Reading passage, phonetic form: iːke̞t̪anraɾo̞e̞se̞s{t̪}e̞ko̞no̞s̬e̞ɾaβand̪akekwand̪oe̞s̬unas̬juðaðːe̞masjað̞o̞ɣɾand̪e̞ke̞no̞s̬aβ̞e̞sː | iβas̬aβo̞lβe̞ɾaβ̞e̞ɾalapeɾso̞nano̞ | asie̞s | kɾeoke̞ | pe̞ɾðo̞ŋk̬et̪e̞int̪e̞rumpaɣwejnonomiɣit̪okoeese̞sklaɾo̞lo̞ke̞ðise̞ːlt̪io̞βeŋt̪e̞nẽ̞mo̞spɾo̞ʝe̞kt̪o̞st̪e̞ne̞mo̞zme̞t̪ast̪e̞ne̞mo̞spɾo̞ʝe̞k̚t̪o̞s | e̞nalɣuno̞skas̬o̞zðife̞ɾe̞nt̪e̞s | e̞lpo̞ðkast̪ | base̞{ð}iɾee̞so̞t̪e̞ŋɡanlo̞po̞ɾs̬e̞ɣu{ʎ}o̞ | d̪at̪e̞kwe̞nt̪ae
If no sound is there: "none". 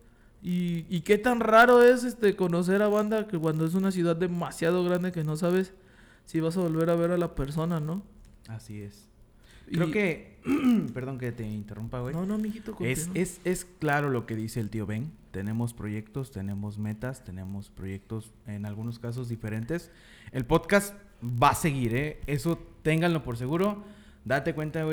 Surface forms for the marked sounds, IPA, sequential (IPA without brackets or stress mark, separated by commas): t̪, ɣ, ɾ